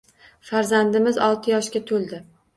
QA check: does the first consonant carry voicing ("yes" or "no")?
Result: no